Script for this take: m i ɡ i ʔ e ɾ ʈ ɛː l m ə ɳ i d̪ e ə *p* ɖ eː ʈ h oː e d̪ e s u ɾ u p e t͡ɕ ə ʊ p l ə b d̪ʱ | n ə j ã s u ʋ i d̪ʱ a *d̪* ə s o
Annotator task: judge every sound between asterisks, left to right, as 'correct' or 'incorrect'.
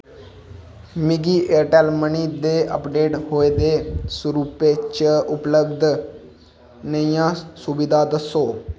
correct, correct

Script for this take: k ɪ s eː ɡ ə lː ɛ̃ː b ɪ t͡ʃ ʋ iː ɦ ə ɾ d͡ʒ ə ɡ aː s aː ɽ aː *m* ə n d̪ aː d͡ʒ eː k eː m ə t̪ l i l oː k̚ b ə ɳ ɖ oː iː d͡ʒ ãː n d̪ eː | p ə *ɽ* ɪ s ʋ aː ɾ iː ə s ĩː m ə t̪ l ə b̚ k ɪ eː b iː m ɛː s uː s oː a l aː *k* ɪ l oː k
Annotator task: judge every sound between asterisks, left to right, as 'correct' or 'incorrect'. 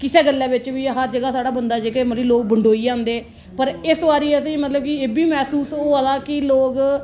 incorrect, incorrect, correct

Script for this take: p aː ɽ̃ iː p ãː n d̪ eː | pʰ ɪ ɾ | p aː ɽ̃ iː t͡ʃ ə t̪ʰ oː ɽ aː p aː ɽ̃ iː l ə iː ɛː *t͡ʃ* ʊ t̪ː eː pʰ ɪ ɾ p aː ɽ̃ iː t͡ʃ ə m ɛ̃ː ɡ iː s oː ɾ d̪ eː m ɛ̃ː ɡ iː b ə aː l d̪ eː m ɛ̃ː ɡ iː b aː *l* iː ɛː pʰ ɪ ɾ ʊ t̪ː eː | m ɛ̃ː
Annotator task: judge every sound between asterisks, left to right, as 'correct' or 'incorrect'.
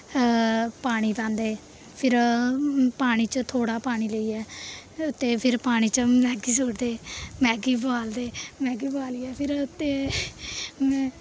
incorrect, correct

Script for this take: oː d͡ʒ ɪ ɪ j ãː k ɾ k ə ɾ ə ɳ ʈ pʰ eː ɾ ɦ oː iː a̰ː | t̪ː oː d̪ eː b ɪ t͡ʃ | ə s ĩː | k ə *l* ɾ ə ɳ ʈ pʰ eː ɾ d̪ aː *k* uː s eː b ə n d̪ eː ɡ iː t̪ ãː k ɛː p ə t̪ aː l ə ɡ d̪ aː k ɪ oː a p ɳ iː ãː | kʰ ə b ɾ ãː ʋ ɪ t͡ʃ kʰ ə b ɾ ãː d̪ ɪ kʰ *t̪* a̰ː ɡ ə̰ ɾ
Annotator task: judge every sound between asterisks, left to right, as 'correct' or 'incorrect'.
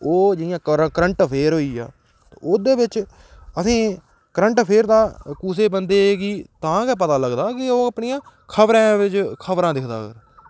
incorrect, correct, incorrect

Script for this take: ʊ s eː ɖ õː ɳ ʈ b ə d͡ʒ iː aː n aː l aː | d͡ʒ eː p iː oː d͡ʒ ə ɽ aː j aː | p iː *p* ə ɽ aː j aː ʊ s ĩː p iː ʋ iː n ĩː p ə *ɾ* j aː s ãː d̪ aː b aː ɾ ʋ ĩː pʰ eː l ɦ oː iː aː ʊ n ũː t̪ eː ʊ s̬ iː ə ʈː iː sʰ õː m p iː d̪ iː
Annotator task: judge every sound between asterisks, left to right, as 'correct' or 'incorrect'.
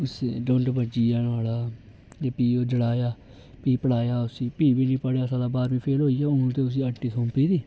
correct, incorrect

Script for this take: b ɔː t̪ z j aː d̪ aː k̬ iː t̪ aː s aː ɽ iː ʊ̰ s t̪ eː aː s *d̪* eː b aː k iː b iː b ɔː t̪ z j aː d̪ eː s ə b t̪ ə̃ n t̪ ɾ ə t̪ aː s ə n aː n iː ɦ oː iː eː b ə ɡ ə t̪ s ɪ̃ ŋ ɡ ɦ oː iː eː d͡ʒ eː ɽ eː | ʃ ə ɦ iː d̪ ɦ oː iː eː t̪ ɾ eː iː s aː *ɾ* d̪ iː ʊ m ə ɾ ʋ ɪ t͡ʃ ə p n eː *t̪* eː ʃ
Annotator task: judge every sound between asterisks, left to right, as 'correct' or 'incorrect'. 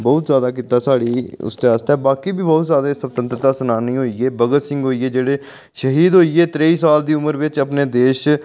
incorrect, incorrect, incorrect

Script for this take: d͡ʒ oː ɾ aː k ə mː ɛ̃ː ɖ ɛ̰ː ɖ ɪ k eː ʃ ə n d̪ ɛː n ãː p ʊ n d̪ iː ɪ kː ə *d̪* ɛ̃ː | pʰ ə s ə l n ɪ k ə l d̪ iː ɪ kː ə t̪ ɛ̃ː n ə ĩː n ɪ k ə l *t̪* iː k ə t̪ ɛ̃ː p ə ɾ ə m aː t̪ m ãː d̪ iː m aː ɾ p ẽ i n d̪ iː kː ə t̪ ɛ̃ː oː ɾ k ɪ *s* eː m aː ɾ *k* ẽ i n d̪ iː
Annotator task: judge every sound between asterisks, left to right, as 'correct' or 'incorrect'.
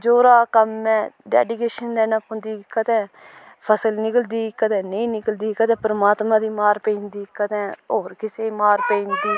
incorrect, incorrect, correct, incorrect

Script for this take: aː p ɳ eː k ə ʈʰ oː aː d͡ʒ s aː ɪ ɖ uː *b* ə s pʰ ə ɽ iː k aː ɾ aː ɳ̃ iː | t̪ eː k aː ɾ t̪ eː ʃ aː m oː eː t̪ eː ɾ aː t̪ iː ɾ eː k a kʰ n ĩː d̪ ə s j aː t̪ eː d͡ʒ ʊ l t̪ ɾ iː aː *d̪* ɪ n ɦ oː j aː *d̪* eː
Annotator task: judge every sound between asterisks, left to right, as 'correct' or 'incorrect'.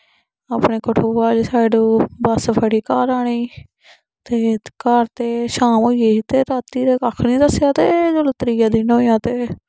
correct, correct, incorrect

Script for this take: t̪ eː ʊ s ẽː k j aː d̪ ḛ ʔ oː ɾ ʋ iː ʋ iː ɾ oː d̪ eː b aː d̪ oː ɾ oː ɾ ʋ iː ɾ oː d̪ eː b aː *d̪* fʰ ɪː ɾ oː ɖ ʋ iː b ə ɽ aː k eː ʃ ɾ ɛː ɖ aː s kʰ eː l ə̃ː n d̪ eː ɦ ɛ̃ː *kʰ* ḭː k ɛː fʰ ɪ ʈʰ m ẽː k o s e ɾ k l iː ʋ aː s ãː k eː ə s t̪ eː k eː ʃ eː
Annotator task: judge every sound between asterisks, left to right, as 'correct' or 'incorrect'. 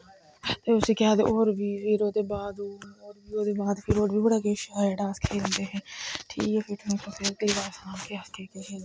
correct, incorrect

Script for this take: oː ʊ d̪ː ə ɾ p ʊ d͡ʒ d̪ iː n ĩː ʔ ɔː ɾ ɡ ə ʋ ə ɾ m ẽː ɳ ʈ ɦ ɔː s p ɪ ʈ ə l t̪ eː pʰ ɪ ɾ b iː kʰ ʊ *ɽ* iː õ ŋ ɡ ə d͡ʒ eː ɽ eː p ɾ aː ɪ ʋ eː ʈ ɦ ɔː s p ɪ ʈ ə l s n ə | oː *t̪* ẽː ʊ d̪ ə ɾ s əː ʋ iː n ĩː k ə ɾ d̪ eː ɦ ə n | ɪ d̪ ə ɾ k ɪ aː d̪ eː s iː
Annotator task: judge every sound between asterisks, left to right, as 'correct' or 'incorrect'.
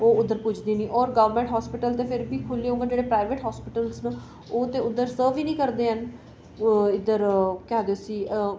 incorrect, correct

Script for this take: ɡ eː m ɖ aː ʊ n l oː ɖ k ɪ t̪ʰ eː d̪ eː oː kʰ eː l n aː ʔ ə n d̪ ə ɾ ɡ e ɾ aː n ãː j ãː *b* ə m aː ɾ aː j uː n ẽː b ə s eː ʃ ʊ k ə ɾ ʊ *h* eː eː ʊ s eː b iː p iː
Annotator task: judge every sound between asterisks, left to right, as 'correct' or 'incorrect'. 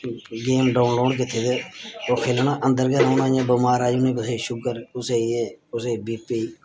correct, incorrect

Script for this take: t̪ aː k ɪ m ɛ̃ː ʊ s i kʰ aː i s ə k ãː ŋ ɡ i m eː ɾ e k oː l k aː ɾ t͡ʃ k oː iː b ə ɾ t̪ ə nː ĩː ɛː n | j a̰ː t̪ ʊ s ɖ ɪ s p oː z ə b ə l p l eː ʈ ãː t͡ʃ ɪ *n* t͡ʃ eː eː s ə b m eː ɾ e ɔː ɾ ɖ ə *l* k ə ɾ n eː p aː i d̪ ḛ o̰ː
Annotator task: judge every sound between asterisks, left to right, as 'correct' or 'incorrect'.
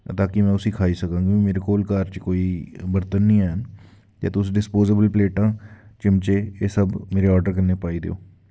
incorrect, incorrect

